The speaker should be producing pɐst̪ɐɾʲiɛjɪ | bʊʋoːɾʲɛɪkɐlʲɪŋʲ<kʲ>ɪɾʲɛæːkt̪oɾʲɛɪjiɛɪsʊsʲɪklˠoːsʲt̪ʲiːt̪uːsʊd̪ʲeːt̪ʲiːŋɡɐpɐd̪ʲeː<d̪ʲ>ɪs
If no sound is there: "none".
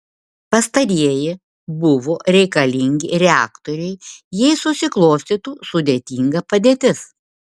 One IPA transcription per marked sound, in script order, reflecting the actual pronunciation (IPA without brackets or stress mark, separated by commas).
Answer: ɡʲ, t̪ʲ